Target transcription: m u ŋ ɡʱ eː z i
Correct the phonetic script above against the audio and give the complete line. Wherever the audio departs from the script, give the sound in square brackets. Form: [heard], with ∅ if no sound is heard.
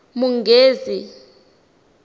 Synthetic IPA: m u ŋ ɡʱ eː z i